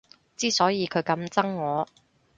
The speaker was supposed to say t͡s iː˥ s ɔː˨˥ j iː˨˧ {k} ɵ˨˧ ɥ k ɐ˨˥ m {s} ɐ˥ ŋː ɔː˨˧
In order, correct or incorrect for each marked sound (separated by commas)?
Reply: incorrect, incorrect